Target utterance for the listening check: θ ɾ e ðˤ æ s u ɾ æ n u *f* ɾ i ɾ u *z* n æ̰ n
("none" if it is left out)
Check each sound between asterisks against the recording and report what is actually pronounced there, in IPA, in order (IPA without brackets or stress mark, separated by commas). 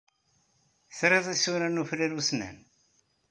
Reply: f, s